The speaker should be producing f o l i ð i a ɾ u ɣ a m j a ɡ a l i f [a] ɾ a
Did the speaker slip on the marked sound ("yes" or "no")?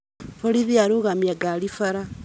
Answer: no